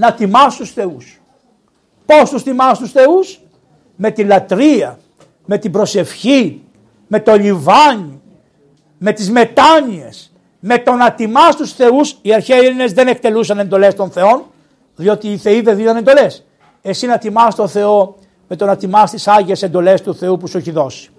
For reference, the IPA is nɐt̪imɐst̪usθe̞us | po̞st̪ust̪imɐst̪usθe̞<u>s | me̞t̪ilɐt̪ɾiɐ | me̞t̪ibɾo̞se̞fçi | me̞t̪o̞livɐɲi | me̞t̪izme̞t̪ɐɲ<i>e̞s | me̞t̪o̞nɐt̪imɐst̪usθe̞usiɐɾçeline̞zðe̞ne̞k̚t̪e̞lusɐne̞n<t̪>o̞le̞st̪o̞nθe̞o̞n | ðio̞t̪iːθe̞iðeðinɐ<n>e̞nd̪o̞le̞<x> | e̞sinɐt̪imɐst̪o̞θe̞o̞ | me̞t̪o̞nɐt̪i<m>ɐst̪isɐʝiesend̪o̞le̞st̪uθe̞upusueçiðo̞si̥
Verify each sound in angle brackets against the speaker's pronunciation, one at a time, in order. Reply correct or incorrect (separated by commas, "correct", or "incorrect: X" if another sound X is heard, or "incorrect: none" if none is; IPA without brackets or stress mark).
correct, correct, incorrect: d̪, correct, incorrect: s, correct